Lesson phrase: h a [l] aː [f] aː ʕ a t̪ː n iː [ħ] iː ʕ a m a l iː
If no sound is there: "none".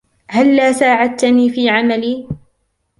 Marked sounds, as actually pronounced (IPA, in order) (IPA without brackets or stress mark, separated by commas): lː, s, f